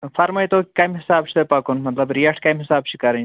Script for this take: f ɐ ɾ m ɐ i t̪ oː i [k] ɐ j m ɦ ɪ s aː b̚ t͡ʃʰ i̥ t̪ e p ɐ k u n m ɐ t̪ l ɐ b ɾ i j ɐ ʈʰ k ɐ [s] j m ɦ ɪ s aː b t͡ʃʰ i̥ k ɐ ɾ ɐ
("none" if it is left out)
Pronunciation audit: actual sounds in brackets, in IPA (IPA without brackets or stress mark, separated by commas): k, none